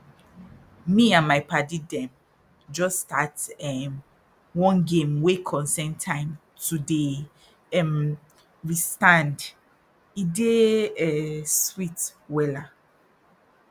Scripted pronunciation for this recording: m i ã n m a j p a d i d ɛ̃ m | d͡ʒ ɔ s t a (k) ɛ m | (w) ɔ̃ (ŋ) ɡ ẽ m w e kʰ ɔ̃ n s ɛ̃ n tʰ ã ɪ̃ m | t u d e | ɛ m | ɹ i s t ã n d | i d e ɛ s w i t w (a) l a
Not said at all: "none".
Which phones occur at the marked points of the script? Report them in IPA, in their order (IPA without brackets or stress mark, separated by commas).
t, w, n, ɛ